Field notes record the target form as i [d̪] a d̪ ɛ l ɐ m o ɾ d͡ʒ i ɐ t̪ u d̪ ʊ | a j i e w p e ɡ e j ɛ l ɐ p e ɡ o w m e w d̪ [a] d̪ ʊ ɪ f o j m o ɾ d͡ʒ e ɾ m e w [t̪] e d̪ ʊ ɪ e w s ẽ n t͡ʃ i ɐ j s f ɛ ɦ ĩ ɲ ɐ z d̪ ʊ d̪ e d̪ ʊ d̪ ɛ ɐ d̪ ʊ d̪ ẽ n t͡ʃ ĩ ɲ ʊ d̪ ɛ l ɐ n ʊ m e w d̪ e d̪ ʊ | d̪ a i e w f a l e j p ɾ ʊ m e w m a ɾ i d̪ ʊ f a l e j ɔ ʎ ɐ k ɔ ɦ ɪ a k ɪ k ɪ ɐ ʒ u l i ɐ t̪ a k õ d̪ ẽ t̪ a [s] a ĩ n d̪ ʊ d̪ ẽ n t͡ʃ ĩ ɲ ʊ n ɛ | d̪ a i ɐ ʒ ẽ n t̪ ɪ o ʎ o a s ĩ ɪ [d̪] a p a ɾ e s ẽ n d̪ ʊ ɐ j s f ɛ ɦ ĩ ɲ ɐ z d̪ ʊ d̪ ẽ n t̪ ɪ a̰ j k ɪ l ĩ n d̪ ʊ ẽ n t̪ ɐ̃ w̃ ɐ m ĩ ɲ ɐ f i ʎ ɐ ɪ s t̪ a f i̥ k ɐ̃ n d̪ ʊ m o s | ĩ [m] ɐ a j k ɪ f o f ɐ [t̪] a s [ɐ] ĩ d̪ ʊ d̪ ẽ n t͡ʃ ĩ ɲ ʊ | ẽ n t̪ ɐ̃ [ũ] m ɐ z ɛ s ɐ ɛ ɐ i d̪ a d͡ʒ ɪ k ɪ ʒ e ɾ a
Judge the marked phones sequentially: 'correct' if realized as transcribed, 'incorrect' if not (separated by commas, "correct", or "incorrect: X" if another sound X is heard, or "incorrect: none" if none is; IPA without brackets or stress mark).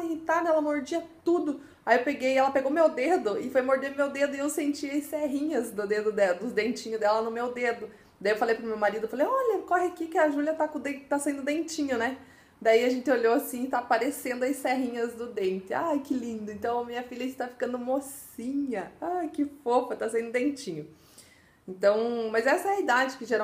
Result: incorrect: t̪, incorrect: e, incorrect: d̪, correct, incorrect: t̪, incorrect: ɲ, correct, incorrect: a, incorrect: w̃